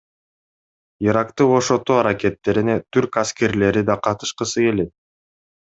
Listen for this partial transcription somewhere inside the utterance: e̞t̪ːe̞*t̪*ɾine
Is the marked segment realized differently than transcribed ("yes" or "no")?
yes